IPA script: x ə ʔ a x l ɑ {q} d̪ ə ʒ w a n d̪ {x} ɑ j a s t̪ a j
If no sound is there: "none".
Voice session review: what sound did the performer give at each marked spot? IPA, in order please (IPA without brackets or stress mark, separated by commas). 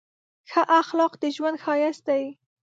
q, x